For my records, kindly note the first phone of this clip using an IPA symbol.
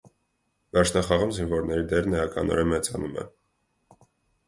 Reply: v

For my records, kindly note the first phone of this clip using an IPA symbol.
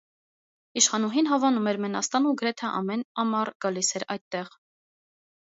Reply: i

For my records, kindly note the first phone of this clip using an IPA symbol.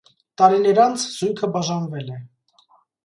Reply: t̪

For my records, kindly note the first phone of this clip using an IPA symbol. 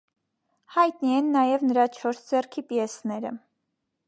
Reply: h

